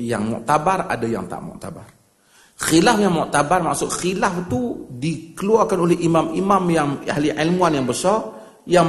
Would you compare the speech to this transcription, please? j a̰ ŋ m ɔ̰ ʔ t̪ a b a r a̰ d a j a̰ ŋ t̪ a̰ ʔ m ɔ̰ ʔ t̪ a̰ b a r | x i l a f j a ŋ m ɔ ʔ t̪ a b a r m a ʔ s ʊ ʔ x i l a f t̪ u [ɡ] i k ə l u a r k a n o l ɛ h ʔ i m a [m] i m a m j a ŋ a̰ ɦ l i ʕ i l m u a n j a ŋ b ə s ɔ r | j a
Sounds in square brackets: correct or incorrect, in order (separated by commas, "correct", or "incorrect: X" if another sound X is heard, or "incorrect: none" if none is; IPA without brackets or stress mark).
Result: incorrect: d, correct